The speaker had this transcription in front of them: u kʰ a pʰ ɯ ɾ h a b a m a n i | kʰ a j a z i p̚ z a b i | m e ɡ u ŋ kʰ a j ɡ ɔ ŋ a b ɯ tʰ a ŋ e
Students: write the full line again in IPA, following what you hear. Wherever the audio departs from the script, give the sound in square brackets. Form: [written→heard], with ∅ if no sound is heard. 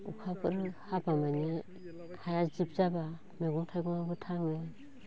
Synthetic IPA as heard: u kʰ a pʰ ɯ ɾ h a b a m a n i | kʰ a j a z i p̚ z a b [i→a] | m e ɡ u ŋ [kʰ→tʰ] a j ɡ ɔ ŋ a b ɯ tʰ a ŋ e